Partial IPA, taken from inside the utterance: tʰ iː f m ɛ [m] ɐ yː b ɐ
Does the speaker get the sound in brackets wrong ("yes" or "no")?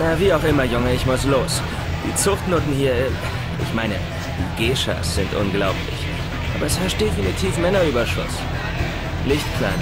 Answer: yes